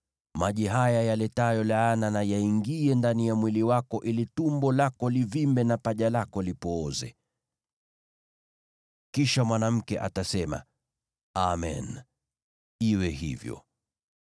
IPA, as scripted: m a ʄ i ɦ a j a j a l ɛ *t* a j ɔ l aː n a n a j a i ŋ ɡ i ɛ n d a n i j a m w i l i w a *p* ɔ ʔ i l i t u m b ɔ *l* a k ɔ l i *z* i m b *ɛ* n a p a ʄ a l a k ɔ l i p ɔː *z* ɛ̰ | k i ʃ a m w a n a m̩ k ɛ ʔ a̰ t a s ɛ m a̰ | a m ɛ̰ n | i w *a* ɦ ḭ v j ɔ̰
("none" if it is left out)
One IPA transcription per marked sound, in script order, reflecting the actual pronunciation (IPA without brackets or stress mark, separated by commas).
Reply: t, k, l, v, ɛ, z, ɛ